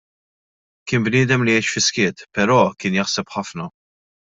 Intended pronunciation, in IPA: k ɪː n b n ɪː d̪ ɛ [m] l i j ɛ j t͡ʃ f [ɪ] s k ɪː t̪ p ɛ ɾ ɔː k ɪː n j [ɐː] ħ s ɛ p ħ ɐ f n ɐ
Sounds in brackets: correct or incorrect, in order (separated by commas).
correct, correct, incorrect